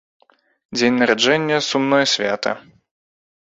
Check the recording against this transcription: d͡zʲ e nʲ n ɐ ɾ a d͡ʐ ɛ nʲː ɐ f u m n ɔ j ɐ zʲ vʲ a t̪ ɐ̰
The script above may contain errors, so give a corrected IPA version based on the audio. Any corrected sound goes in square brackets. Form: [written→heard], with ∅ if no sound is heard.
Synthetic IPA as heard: d͡zʲ e nʲ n ɐ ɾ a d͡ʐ ɛ nʲː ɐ [f→s] u m n ɔ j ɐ [zʲ→sʲ] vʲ a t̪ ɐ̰